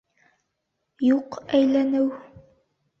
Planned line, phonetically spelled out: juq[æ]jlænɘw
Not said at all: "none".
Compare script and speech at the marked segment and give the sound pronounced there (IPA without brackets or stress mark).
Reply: æ